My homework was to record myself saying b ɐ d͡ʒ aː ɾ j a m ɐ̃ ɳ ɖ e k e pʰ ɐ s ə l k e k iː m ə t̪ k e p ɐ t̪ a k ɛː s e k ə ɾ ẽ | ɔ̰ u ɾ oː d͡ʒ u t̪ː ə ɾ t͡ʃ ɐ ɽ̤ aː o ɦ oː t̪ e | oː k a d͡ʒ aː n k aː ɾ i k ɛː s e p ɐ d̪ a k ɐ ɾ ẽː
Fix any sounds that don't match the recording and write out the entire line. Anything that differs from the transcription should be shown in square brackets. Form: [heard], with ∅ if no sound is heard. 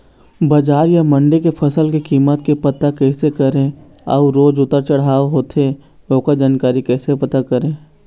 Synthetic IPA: b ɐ d͡ʒ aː ɾ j a m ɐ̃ ɳ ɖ e k e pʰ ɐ s ə l k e k iː m ə t̪ k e p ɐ t̪ a k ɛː s e k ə ɾ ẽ | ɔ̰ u ɾ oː d͡ʒ [ʊ] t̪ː ə ɾ t͡ʃ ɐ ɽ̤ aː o ɦ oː t̪ e | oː k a d͡ʒ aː n k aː ɾ i k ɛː s e p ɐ [t̪] a k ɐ ɾ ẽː